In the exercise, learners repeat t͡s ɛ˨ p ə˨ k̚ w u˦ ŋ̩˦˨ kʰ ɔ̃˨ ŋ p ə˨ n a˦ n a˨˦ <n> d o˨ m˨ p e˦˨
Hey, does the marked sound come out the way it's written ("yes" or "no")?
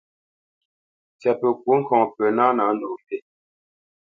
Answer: yes